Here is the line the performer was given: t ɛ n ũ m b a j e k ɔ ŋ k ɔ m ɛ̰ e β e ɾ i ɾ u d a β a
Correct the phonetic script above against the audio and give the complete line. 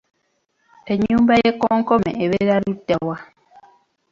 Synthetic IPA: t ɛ ɲ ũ m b a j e k ɔ ŋ k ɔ m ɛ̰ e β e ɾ a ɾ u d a w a